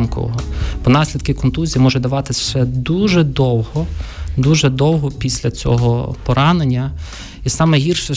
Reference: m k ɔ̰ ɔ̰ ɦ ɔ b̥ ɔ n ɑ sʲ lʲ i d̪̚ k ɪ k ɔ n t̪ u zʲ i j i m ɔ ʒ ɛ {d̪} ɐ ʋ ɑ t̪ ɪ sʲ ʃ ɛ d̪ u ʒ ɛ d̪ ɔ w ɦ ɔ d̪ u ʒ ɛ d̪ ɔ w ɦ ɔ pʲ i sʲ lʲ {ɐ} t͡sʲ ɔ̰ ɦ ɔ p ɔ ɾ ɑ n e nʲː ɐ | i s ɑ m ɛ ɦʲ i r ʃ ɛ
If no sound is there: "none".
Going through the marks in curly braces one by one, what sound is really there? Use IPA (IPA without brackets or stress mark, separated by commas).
d̪, ɐ